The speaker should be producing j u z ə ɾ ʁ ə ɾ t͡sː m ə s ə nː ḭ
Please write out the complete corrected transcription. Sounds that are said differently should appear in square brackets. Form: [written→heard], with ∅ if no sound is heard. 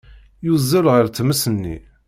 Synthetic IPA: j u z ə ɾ ʁ ə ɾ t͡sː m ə s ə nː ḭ